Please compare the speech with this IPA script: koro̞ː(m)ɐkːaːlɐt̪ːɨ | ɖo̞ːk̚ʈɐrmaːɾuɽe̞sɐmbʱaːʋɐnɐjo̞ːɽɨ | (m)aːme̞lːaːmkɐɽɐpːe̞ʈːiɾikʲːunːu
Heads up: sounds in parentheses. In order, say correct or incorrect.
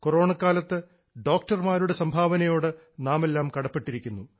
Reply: incorrect: ɳ, incorrect: n

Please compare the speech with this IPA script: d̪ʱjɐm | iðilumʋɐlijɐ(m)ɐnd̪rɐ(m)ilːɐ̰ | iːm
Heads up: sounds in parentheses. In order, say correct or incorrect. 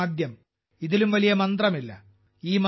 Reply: correct, correct

